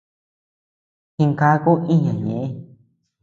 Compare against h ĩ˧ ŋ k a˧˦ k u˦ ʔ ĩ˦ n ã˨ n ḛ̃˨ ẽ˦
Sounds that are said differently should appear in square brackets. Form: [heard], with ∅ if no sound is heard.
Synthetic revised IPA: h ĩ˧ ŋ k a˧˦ k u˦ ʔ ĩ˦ [ɲ] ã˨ [ɲ] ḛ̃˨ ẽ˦